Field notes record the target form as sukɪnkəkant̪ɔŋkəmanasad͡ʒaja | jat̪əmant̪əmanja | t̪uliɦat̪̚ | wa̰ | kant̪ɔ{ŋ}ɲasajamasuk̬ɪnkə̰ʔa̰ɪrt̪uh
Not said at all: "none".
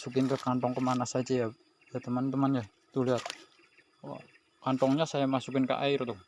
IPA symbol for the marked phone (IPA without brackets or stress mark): ŋ